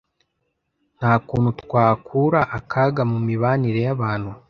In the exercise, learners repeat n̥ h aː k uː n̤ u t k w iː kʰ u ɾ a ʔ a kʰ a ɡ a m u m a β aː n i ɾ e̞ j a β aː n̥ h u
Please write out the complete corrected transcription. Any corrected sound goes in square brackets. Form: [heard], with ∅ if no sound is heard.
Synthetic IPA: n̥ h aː k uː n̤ u t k w [aː] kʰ u ɾ a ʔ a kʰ a ɡ a m u m [i] β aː n i ɾ e̞ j a β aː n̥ h u